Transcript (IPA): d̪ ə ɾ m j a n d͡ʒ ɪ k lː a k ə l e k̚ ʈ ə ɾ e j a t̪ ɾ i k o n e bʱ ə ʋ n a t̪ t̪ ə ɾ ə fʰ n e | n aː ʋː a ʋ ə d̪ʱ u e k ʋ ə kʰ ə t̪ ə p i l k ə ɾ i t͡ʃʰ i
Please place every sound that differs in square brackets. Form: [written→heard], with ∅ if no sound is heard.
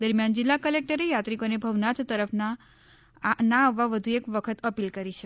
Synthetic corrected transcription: d̪ ə ɾ m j a n d͡ʒ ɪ [k→∅] lː a k ə l e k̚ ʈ ə ɾ e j a t̪ ɾ i k o n e bʱ ə ʋ n a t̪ t̪ ə ɾ ə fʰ n [e→a] | n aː ʋː a ʋ ə d̪ʱ u e k ʋ ə kʰ ə t̪ ə p i l k ə ɾ i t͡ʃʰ [i→e]